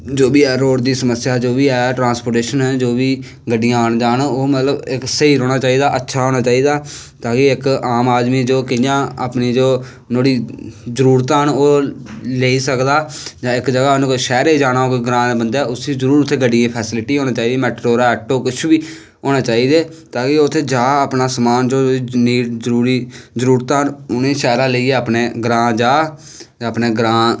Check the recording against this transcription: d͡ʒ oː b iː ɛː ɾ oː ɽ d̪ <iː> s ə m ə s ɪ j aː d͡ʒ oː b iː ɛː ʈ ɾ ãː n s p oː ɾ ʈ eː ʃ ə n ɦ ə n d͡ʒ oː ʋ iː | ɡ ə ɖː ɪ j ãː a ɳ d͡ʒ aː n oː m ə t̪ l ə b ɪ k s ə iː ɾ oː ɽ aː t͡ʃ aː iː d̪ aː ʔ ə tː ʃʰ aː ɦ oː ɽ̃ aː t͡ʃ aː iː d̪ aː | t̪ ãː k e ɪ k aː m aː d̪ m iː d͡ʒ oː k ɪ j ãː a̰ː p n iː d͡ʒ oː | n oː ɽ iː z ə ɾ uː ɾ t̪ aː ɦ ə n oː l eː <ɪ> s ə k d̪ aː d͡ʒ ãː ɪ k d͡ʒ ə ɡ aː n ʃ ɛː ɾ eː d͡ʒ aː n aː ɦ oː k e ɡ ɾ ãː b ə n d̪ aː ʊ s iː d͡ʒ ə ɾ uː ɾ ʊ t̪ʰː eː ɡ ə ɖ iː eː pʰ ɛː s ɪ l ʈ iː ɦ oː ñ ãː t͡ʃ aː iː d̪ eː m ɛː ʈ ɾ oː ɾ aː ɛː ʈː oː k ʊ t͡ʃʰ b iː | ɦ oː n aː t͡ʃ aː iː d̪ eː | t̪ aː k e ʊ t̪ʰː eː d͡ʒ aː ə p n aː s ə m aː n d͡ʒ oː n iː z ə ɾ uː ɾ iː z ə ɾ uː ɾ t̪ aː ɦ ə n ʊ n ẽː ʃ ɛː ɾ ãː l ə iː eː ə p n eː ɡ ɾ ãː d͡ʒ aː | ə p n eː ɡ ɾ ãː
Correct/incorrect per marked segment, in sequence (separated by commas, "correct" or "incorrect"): correct, incorrect